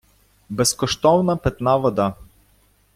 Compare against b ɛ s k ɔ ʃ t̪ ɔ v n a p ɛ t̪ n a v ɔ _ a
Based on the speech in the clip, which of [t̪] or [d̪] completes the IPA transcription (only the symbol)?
d̪